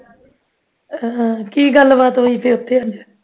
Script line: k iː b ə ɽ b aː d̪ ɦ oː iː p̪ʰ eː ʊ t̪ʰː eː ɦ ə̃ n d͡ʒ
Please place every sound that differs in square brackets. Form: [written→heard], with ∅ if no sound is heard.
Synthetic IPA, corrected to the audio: k iː [b→ɡ] ə [ɽ→l] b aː [d̪→t̪] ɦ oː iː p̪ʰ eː ʊ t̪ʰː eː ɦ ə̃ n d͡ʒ